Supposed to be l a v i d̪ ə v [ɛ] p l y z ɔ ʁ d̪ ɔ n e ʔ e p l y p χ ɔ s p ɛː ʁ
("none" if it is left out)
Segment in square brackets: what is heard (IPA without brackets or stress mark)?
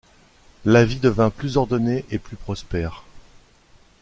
ɛ̃